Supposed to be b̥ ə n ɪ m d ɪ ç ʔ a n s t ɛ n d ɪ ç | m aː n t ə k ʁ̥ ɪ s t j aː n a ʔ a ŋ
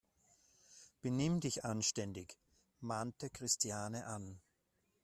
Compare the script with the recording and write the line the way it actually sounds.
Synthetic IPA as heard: b̥ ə n ɪ m d ɪ ç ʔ a n ʃ t ɛ n d ɪ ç | m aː n t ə k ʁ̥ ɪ s t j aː n ə ʔ a n